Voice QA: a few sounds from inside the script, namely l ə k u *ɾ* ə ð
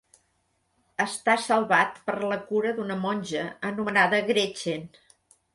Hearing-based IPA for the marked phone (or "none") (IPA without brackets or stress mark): ɾ